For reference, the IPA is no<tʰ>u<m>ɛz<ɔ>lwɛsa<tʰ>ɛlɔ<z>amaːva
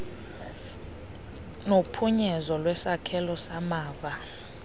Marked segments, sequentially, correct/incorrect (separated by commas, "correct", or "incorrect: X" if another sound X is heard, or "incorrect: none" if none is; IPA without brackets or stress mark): incorrect: pʰ, incorrect: ɲ, correct, incorrect: kʰ, incorrect: s